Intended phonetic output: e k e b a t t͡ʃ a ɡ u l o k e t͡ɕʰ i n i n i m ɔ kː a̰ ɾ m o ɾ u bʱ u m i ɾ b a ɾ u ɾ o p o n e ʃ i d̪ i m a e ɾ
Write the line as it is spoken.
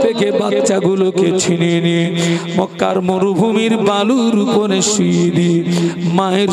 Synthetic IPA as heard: e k e b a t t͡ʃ a ɡ u l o k e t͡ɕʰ i n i n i m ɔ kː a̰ ɾ m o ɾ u bʱ u m i ɾ b a l u ɾ u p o n e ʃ i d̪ i m a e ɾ